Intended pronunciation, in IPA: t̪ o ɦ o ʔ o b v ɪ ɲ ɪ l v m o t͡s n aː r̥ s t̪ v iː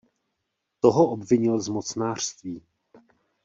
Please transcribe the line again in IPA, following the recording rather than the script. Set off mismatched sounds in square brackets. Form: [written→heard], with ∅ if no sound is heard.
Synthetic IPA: t̪ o ɦ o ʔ o b v ɪ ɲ ɪ l [v→z] m o t͡s n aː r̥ s t̪ v iː